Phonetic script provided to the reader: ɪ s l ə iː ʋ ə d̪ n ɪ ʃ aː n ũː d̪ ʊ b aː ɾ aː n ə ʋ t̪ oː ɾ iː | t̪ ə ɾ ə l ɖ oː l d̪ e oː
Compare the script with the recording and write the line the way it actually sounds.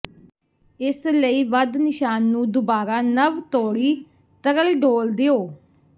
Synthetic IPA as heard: ɪ s l ə iː ʋ ə d̪ n ɪ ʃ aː nː ũː d̪ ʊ b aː ɾ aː n ə ʋ t̪ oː ɽ iː | t̪ ə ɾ ə l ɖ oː l d̪ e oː